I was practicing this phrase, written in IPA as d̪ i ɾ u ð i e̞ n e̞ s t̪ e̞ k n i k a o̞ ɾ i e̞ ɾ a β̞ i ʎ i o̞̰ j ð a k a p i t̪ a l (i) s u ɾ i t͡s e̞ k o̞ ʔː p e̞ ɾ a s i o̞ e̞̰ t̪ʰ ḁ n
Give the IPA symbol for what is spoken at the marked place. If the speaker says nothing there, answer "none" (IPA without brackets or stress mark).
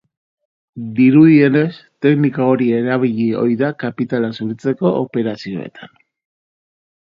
a